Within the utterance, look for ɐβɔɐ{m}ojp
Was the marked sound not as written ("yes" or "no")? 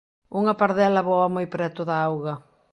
no